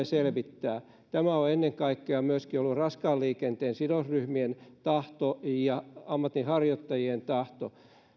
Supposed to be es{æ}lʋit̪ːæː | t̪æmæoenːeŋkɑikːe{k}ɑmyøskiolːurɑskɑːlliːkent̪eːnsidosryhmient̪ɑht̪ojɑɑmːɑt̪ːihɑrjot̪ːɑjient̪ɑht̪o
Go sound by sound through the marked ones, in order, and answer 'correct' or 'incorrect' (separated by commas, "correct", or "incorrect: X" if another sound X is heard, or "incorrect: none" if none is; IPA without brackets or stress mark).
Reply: incorrect: e, incorrect: none